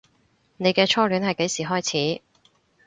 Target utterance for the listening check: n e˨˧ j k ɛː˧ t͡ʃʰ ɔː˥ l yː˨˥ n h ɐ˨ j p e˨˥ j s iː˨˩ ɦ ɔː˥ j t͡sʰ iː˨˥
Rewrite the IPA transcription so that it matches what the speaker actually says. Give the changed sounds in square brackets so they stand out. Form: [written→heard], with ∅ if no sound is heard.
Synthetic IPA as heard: n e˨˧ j k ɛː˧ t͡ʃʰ ɔː˥ l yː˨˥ n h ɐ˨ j [p→k] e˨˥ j s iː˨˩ ɦ ɔː˥ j t͡sʰ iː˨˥